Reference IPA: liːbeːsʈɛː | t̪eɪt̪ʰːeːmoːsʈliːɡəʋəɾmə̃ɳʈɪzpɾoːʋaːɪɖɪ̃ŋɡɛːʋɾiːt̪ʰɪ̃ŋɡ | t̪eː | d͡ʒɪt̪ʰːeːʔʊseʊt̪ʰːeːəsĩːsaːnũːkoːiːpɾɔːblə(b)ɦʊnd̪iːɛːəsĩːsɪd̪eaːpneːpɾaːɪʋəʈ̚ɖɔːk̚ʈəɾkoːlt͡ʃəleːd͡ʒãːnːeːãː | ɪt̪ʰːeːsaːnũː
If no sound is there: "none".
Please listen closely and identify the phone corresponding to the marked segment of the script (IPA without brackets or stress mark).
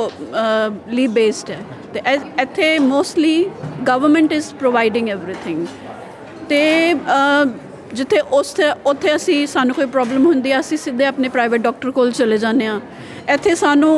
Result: m